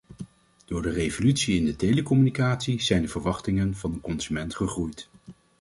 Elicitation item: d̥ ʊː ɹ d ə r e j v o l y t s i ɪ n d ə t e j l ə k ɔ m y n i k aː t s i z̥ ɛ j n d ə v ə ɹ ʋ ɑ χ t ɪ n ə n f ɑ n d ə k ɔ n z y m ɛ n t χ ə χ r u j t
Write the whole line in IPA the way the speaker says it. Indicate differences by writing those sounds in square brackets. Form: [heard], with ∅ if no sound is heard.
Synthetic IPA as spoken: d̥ ʊː ɹ d ə r e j v o l y t s i ɪ n d ə t e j l ə k ɔ m y n i k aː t s i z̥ ɛ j n d ə v ə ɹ ʋ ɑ χ t ɪ [ŋ] ə n [v] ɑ n d ə k ɔ n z y m ɛ n t χ ə χ r u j t